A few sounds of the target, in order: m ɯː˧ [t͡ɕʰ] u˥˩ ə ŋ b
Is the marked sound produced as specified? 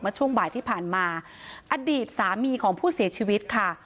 yes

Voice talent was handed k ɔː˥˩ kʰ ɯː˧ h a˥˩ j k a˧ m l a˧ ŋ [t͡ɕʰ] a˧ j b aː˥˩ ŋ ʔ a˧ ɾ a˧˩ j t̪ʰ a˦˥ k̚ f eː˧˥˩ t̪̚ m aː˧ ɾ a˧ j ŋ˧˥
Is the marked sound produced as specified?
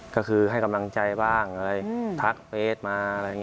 no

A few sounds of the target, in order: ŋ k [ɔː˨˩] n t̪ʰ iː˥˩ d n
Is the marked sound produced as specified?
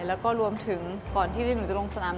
yes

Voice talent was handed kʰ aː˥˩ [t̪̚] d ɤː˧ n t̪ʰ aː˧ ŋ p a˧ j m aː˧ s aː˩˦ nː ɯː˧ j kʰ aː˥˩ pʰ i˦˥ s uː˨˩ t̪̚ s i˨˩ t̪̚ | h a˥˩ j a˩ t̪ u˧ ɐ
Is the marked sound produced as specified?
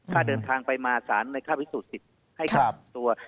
no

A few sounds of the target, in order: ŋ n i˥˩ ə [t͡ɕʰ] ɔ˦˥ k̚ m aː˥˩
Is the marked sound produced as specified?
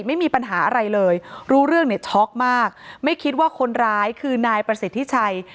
yes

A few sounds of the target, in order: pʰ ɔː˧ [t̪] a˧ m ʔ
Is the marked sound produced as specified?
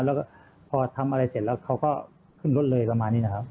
no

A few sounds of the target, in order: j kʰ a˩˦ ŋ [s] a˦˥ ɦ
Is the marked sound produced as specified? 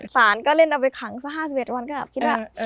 yes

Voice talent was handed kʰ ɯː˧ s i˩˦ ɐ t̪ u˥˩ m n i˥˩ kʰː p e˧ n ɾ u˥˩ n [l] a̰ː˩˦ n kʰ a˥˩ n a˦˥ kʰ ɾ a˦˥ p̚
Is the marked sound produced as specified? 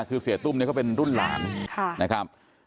yes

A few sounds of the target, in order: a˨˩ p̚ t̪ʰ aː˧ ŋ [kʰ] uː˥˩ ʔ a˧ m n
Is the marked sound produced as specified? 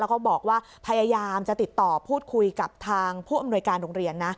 no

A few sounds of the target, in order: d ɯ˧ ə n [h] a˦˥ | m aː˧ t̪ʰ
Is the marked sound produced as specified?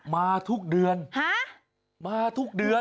yes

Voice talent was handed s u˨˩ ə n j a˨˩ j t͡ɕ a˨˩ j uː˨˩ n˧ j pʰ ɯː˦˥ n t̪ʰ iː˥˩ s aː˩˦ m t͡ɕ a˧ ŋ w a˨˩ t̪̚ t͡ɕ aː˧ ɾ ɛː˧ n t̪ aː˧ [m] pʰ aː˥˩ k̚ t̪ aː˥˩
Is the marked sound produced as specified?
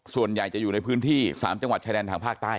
no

